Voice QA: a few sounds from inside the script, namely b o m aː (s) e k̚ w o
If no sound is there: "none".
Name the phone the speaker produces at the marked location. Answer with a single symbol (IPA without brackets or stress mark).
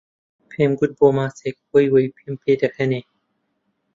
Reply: s